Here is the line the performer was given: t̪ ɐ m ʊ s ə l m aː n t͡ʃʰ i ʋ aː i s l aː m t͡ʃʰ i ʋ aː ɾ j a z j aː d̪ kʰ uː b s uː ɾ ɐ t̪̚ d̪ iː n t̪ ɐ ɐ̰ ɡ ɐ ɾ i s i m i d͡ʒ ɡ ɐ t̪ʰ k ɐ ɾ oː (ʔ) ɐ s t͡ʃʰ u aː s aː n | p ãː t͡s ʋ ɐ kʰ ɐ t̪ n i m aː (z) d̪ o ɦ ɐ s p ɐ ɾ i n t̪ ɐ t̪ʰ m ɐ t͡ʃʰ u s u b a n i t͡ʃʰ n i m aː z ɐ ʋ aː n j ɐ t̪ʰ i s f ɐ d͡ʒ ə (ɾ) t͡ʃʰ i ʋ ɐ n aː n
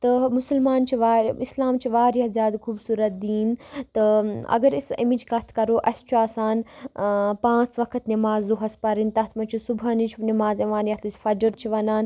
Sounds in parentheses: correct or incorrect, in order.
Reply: correct, correct, correct

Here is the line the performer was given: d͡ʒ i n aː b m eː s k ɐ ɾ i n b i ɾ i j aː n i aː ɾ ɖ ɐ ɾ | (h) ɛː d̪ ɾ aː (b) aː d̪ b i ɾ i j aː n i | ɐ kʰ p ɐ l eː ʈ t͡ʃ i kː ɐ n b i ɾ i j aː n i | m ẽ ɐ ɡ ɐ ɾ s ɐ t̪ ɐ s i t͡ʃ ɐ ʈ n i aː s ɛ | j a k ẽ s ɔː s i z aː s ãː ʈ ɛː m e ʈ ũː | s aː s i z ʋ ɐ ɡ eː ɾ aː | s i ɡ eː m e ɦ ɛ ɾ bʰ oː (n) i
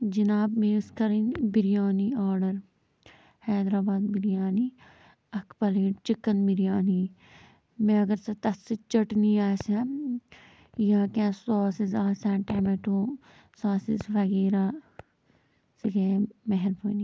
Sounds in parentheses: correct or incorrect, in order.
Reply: correct, correct, correct

